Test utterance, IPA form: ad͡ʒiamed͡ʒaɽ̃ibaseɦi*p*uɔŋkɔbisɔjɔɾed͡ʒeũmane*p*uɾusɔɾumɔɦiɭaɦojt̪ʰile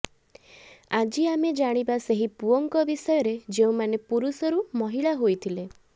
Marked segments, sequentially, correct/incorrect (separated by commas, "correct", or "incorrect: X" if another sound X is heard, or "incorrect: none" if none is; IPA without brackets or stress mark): correct, correct